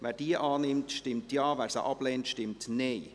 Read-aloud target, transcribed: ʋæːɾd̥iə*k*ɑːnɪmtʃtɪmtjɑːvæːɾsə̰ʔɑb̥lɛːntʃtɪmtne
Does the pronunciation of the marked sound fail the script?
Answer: yes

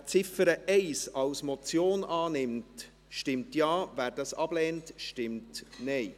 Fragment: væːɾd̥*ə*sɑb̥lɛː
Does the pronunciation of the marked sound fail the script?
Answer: yes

